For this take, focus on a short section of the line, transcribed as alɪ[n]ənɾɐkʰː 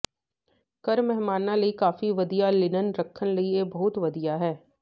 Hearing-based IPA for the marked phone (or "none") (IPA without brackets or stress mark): n